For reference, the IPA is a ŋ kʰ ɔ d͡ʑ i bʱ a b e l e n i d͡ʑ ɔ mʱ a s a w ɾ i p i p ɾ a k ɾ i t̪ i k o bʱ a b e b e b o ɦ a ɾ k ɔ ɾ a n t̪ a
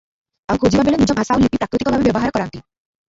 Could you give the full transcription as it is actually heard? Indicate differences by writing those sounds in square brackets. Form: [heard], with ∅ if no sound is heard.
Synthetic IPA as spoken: a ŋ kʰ [o] d͡ʑ i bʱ a b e l e n i d͡ʑ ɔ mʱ a s a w [l] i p i p ɾ a k ɾ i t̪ i k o bʱ a b e b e b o ɦ a ɾ k ɔ ɾ a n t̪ [i]